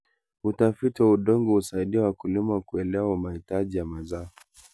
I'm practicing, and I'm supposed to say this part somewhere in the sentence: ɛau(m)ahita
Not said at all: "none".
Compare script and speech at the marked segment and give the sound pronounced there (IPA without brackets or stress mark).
m